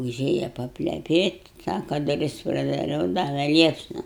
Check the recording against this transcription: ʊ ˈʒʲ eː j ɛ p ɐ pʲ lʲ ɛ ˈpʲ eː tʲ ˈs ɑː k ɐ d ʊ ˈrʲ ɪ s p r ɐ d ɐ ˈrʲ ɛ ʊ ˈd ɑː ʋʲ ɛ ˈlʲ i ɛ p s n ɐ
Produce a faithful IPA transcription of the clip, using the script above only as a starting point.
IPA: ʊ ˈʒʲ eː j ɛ p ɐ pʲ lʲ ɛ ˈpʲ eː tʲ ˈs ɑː k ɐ d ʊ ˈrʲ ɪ s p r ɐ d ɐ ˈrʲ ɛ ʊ ˈd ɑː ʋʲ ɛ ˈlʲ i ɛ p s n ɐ